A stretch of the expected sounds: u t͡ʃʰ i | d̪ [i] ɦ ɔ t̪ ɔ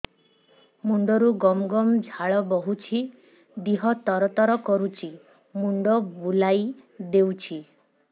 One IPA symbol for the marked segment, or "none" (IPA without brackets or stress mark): i